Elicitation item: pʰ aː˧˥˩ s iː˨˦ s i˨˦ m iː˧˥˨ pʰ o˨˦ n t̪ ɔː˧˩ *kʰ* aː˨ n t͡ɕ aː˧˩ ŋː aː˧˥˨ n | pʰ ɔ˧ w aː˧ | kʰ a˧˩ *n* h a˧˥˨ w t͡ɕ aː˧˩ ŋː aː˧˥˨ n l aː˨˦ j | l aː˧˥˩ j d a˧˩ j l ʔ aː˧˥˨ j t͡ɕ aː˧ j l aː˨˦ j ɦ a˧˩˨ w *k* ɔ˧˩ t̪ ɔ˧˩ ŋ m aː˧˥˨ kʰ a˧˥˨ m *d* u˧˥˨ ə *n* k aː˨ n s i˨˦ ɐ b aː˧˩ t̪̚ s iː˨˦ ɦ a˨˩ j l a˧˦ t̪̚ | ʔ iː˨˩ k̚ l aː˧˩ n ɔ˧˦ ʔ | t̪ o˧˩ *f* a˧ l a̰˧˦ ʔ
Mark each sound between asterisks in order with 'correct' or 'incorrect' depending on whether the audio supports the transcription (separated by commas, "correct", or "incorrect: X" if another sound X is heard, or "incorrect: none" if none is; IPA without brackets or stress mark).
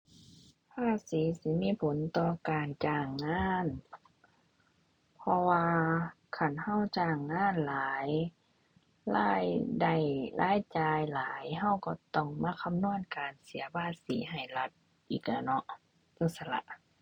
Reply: incorrect: k, correct, correct, incorrect: n, correct, incorrect: s